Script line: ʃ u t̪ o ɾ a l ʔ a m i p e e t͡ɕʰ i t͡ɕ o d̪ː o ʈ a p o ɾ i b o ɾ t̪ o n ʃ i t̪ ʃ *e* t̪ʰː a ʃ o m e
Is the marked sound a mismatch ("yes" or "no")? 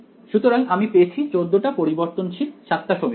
yes